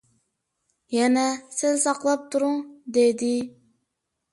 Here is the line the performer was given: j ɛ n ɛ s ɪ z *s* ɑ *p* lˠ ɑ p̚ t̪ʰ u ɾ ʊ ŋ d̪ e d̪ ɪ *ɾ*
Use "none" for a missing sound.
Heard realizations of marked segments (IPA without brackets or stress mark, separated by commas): s, q, none